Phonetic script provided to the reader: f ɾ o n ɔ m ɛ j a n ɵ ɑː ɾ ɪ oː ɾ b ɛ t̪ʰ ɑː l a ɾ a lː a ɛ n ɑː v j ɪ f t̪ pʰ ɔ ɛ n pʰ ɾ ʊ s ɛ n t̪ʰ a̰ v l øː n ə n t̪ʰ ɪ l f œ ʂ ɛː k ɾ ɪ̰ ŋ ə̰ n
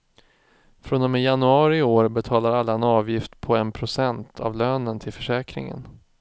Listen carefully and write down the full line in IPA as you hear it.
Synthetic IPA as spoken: f ɾ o n ɔ m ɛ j a n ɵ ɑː ɾ ɪ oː ɾ b ɛ t̪ʰ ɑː l a ɾ a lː a ɛ n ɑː v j ɪ f t̪ pʰ ɔ ɛ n pʰ ɾ ʊ s ɛ n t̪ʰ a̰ v l øː n ə n t̪ʰ ɪ l f œ ʂ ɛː k ɾ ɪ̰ ŋ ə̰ n

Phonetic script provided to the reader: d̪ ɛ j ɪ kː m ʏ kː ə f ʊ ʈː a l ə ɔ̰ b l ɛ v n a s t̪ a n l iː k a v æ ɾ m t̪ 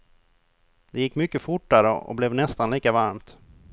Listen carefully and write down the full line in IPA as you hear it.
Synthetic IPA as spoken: d̪ ɛ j ɪ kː m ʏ kː ə f ʊ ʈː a ɾ ə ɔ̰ b l ɛ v n ɛ s t̪ a n l iː k a v a ɾ m t̪

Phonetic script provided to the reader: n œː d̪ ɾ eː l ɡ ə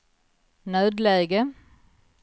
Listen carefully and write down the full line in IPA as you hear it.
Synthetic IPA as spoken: n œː d̪ l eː ɡ ə

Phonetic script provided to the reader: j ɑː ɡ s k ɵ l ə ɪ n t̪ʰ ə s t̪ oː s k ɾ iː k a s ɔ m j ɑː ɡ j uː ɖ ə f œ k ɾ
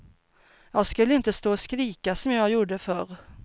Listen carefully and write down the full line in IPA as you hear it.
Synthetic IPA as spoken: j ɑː ɡ s k ɵ lː ə ɪ n t̪ ə s t̪ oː s k ɾ iː k a s ɔ m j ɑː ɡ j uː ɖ ə f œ ɾ

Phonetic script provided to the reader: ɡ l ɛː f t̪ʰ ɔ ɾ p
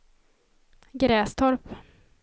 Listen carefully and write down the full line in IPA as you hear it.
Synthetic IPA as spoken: ɡ ɾ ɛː s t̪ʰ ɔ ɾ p

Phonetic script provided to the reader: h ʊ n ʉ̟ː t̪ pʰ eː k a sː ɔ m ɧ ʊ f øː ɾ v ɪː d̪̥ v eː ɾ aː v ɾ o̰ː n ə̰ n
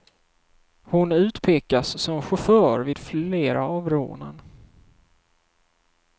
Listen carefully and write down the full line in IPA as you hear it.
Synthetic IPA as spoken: h ʊ n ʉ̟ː t̪ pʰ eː k a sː ɔ m ɧ ʊ f œː ɾ v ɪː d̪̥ f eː ɾ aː v ɾ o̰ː n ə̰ n

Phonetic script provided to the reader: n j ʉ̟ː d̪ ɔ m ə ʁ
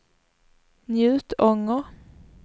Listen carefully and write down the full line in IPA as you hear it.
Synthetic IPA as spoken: n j ʉ̟ː t̪ ɔ ŋ ə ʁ

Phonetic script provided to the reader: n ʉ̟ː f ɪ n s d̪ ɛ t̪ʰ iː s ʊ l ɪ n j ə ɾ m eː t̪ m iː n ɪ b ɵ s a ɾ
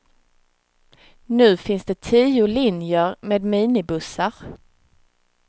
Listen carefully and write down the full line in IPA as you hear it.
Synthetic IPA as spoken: n ʉ̟ː f ɪ n s d̪ ɛ t̪ʰ iː ʊ l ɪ n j ə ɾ m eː d̪ m iː n ɪ b ɵ s a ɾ

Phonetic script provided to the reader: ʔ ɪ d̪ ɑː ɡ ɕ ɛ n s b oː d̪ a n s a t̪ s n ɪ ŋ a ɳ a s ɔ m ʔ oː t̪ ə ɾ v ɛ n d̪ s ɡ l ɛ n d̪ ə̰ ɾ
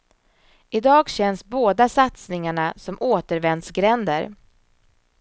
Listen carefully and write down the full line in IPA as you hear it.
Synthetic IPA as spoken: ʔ ɪ d̪ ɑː ɡ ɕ ɛ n s b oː d̪ a s a t̪ s n ɪ ŋ a ɳ a s ɔ m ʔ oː t̪ ə ɾ v ɛ n d̪ s ɡ ɾ ɛ n d̪ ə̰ ɾ

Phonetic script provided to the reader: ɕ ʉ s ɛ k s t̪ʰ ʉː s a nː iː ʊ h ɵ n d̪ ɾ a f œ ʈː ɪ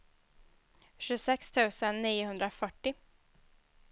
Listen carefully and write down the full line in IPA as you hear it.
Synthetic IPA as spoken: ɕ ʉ s ɛ k s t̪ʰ ʉː s ə nː iː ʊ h ɵ n d̪ ɾ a f œ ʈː ɪ

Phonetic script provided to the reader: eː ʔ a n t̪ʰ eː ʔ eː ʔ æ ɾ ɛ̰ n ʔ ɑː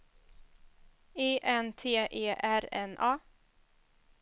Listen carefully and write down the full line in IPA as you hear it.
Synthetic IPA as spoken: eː ʔ ɛ n t̪ʰ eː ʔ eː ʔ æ ɾ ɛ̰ n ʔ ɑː

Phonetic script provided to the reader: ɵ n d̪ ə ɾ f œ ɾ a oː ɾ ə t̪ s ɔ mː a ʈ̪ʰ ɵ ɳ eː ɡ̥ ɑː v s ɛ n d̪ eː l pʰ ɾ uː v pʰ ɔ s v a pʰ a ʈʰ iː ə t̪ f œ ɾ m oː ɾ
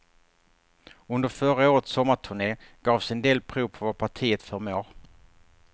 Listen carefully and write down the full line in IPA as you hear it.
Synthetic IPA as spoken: ɵ n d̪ ə ɾ f œ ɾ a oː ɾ ə t̪ s ɔ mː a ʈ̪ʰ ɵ ɳ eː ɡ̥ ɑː v s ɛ n d̪ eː l pʰ ɾ uː v pʰ ɔ v a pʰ a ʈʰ iː ə t̪ f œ ɾ m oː ɾ

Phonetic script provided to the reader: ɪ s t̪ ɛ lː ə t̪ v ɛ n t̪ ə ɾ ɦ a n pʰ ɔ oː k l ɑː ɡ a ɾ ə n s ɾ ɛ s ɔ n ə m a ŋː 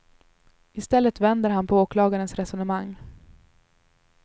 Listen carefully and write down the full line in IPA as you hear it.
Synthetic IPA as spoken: ɪ s t̪ ɛ lː ə t̪ v ɛ n d̪ ə ɾ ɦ a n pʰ ɔ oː k l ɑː ɡ a ɾ ə n s ɾ ɛ s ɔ n ə m a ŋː

